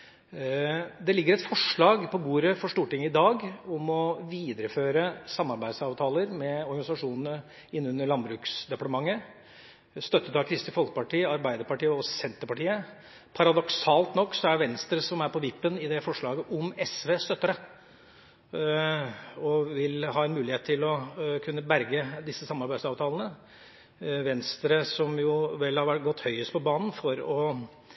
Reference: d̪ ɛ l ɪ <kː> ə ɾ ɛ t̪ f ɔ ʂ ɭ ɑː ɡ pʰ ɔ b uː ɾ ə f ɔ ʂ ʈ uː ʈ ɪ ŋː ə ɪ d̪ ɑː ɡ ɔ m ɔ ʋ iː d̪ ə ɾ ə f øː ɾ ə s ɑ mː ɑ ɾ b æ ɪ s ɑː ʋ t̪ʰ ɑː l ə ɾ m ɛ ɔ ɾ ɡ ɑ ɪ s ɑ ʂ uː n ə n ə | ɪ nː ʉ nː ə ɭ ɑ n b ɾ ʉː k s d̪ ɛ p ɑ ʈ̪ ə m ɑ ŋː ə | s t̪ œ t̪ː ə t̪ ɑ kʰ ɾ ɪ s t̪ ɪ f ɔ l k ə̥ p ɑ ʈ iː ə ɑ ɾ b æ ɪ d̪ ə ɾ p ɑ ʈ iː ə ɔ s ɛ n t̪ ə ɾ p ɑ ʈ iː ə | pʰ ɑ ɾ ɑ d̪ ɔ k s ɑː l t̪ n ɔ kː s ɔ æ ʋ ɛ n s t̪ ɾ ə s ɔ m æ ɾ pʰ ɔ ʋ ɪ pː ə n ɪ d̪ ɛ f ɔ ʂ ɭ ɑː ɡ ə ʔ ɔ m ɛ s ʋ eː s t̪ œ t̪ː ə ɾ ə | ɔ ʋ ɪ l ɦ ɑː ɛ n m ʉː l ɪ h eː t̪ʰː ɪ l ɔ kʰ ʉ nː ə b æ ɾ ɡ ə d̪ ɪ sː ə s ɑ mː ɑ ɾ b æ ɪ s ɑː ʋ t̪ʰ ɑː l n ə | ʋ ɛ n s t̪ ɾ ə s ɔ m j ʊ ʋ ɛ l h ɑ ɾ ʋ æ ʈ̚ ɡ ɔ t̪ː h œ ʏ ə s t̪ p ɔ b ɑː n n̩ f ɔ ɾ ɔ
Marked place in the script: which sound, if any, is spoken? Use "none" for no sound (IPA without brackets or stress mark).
ɡː